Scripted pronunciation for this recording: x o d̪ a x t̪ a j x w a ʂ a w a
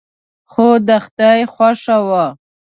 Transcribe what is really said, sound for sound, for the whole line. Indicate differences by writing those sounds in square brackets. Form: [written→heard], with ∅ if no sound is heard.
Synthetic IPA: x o d̪ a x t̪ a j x w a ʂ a w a